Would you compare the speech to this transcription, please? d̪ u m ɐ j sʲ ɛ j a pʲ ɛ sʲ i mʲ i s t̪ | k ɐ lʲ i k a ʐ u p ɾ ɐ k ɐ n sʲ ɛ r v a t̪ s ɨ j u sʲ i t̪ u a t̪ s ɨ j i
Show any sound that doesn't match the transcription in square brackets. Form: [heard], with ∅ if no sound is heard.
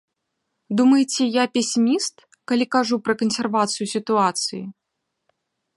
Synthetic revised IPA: d̪ u m ɐ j [t͡sʲ] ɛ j a pʲ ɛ sʲ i mʲ i s t̪ | k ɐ lʲ i k a ʐ u p ɾ ɐ k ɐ n sʲ ɛ r v a t̪ s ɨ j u sʲ i t̪ u a t̪ s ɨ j i

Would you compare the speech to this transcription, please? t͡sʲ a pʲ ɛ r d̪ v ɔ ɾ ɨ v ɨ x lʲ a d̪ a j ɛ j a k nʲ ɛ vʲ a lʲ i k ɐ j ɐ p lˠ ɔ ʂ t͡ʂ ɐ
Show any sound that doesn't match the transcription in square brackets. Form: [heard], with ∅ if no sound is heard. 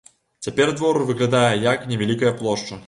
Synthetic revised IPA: t͡sʲ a pʲ ɛ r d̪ v ɔ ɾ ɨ v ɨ [ɣ] lʲ a d̪ a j ɛ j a k nʲ ɛ vʲ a lʲ i k ɐ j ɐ p lˠ ɔ ʂ t͡ʂ ɐ

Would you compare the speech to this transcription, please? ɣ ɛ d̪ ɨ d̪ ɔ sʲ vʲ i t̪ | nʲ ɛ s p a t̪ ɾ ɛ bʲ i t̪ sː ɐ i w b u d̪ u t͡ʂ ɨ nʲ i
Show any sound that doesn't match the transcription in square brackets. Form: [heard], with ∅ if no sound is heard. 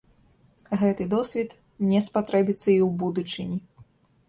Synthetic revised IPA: ɣ ɛ [t̪] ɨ d̪ ɔ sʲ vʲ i t̪ | nʲ ɛ s p a t̪ ɾ ɛ bʲ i t̪ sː ɐ i w b u d̪ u t͡ʂ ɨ nʲ i

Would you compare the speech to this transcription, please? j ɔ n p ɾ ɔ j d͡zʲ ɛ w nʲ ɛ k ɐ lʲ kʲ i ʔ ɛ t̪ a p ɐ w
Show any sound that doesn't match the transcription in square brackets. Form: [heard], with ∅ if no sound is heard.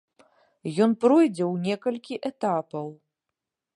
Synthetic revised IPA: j ɔ n p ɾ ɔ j d͡zʲ ɛ w nʲ ɛ k ɐ lʲ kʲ i ʔ ɛ t̪ a p ɐ w

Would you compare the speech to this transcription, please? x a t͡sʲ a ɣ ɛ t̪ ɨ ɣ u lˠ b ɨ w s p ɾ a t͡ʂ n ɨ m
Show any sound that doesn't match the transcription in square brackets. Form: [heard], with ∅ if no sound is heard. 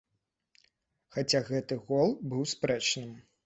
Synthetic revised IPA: x a t͡sʲ a ɣ ɛ t̪ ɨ ɣ [ɔ] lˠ b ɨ w s p ɾ [ɛ] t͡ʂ n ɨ m

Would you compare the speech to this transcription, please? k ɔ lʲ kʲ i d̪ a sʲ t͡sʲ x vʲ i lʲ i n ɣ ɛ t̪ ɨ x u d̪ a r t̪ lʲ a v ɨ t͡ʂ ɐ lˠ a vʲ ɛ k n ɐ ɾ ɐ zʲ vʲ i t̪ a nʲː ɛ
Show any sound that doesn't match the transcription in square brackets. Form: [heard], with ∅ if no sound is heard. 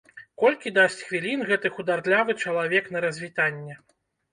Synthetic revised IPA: k ɔ lʲ kʲ i d̪ a sʲ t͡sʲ x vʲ i lʲ i n ɣ ɛ t̪ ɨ x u d̪ a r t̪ lʲ a v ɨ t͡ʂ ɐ lˠ a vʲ ɛ k n ɐ ɾ ɐ zʲ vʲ i t̪ a nʲː ɛ

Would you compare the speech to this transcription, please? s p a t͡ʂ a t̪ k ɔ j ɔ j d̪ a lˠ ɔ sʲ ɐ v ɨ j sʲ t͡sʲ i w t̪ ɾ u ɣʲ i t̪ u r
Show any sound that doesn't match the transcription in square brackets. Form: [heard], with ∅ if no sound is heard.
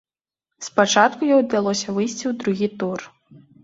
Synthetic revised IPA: s p a t͡ʂ a t̪ k [u] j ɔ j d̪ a lˠ ɔ sʲ ɐ v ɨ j sʲ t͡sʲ i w [d̪] ɾ u ɣʲ i t̪ u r

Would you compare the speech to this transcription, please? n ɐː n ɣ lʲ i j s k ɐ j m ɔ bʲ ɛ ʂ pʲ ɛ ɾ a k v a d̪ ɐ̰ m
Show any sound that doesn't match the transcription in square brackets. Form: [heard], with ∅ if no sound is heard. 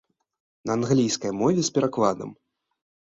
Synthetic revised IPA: n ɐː n ɣ lʲ i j s k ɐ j m ɔ [vʲ] ɛ [s] pʲ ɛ ɾ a k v a d̪ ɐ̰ m

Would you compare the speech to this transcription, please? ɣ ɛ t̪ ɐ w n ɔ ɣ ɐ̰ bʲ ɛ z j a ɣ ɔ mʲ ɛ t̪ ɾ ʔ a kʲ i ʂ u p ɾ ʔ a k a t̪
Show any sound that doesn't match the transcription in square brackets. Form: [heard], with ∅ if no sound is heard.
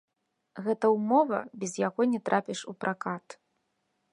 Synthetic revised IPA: ɣ ɛ t̪ ɐ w [m] ɔ [v] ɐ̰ bʲ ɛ z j a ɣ ɔ [nʲ] ɛ t̪ ɾ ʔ a [pʲ] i ʂ u p ɾ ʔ a k a t̪

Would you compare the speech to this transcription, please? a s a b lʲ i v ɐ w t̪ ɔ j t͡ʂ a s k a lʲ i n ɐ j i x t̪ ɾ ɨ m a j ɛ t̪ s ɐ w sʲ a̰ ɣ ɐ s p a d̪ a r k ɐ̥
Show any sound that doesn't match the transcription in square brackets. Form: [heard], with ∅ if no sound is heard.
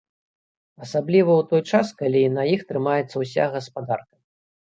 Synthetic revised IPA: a s a b lʲ i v ɐ w t̪ ɔ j t͡ʂ a s k a lʲ i n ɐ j i x t̪ ɾ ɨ m a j ɛ t̪ s ɐ w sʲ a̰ ɣ ɐ s p a d̪ a r k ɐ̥

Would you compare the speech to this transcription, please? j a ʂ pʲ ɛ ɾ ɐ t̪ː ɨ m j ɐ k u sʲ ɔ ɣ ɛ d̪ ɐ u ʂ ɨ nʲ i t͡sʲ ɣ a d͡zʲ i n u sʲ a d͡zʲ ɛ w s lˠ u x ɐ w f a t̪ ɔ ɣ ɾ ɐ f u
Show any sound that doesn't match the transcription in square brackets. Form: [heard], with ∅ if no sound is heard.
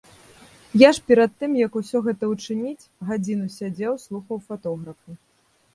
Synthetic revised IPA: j a ʂ pʲ ɛ ɾ ɐ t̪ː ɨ m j ɐ k u sʲ ɔ ɣ ɛ [t̪] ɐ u [t͡ʂ] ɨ nʲ i t͡sʲ ɣ a d͡zʲ i n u sʲ a d͡zʲ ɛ w s lˠ u x ɐ w f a t̪ ɔ ɣ ɾ ɐ f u

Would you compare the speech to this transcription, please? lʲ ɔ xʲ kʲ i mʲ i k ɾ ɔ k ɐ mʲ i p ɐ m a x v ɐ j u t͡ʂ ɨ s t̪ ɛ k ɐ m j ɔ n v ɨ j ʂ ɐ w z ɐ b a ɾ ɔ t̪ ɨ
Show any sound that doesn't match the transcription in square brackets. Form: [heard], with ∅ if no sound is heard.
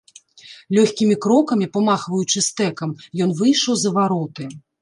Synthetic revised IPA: lʲ ɔ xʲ kʲ i mʲ i k ɾ ɔ k ɐ mʲ i p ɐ m a x v ɐ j u t͡ʂ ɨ s t̪ ɛ k ɐ m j ɔ n v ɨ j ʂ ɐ w z ɐ [v] a ɾ ɔ t̪ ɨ

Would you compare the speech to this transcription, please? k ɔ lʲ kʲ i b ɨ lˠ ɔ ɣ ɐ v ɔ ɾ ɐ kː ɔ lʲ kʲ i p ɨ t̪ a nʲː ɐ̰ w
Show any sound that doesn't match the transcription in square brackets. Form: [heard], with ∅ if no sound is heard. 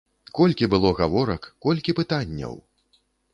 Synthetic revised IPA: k ɔ lʲ kʲ i b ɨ lˠ ɔ ɣ [a] v ɔ ɾ ɐ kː ɔ lʲ kʲ i p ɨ t̪ a nʲː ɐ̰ w

